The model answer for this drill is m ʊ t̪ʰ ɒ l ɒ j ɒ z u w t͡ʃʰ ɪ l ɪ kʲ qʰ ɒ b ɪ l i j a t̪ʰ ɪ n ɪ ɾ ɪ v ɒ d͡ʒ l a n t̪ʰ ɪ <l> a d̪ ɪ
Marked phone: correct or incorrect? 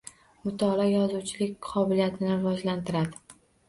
incorrect: ɾ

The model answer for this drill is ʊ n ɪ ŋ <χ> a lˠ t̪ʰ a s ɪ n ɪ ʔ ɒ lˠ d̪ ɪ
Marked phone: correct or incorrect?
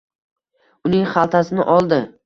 correct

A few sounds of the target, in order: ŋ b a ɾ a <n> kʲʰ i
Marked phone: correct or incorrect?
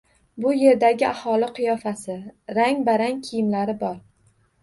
incorrect: ŋ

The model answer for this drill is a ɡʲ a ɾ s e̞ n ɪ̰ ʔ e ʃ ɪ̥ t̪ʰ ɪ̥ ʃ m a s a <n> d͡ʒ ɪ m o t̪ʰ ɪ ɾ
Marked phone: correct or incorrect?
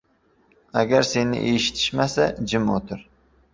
incorrect: none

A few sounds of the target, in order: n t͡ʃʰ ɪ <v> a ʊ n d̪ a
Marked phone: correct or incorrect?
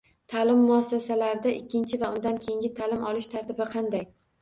correct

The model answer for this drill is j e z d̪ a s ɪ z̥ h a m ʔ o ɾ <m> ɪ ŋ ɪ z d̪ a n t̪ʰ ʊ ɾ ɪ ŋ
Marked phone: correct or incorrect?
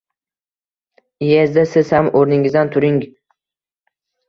incorrect: n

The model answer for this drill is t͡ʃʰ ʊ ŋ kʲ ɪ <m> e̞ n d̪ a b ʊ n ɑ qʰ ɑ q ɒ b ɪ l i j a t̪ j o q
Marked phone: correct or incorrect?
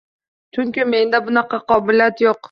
correct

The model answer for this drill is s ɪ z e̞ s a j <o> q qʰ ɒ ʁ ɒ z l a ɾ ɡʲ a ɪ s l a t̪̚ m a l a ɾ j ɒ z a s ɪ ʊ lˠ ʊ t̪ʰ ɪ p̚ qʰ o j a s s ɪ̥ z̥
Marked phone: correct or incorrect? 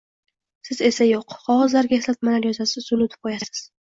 correct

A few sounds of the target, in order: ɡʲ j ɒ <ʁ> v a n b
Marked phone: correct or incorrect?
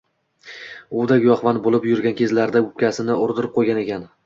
incorrect: χ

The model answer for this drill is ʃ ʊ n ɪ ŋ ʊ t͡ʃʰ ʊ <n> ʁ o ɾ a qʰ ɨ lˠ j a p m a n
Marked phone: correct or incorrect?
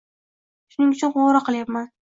correct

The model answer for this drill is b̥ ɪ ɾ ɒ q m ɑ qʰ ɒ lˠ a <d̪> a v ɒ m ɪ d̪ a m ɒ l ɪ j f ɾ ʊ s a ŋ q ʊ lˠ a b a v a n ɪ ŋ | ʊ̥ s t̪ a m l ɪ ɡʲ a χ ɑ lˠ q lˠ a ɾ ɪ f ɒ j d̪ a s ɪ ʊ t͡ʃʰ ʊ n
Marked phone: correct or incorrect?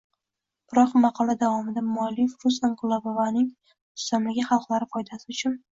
correct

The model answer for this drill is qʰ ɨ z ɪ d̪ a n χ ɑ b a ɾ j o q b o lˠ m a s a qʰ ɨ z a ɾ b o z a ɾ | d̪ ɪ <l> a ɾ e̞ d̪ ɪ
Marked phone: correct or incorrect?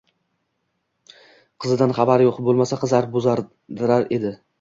incorrect: ɾ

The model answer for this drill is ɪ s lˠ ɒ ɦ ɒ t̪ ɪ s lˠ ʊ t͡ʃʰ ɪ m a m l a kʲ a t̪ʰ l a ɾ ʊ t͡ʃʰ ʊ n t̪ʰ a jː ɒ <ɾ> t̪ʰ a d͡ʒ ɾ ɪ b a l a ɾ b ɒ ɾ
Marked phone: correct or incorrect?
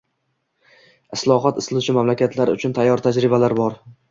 correct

